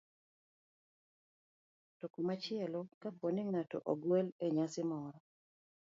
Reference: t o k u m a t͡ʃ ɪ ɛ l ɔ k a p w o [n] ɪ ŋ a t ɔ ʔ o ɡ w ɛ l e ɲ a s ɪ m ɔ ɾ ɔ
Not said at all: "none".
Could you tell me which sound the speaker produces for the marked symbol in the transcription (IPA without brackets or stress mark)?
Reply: n